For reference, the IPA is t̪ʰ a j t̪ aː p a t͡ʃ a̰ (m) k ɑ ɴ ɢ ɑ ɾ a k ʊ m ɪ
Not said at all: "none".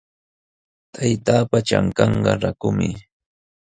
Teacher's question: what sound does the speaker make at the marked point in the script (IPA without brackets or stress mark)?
ŋ